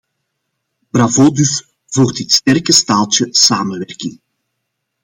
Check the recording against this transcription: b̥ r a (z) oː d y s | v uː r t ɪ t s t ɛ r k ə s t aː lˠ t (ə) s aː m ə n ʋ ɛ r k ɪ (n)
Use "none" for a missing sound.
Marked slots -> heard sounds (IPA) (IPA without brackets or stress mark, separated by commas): v, ə, ŋ